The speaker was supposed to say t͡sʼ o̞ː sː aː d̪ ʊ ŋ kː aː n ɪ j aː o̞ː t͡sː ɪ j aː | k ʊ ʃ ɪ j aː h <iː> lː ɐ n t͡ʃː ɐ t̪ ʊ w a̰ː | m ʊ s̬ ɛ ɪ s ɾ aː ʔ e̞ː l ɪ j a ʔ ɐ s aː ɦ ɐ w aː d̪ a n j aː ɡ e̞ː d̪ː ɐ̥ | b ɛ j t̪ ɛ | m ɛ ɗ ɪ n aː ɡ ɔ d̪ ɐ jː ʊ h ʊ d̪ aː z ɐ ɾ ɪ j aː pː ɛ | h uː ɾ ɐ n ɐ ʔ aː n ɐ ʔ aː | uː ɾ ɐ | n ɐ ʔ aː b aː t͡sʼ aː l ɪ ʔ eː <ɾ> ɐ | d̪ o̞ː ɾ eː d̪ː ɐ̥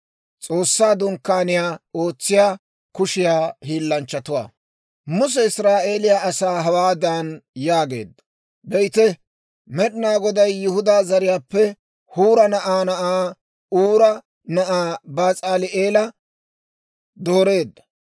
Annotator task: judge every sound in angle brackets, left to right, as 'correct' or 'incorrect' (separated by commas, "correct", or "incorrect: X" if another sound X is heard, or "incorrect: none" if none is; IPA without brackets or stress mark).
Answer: correct, incorrect: l